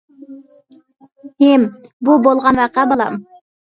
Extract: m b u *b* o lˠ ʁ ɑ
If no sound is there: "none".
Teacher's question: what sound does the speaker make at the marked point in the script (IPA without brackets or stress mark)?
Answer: b